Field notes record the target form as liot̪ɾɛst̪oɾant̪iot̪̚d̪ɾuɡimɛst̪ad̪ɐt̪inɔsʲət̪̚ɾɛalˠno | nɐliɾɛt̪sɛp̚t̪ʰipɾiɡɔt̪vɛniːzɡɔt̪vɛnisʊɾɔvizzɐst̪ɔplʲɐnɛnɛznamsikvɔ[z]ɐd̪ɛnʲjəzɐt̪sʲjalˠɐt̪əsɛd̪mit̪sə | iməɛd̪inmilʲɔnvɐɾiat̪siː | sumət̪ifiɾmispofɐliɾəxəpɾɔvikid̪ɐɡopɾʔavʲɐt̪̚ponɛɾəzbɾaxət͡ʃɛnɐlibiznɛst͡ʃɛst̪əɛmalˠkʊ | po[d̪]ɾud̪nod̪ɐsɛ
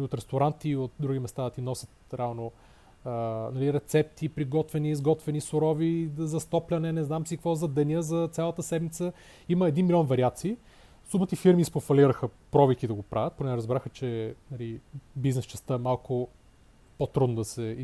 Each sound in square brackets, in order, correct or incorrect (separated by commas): correct, incorrect